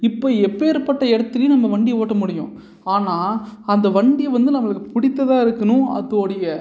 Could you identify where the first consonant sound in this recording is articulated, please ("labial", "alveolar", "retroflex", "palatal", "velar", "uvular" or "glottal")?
labial